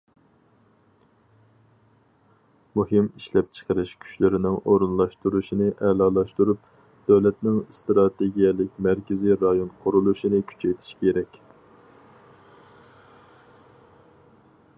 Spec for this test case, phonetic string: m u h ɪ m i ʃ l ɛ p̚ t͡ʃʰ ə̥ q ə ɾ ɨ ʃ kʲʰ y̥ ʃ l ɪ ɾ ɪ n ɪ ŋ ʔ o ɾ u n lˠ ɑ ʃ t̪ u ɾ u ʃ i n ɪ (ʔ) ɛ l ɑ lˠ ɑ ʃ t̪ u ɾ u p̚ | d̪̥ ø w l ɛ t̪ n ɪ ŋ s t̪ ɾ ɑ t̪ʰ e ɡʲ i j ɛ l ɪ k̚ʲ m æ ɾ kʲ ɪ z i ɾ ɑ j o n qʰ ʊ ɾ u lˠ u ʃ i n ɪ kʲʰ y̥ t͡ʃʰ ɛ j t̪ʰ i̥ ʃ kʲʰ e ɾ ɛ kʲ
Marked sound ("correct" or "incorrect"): correct